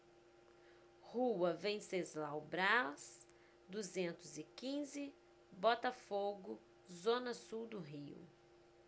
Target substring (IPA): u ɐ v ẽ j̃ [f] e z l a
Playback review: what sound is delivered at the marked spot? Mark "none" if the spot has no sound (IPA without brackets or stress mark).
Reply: s